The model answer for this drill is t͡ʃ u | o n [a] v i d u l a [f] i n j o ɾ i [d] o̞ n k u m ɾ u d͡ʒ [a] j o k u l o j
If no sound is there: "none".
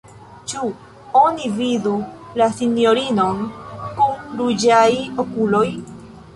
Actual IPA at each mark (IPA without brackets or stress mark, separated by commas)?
i, s, n, a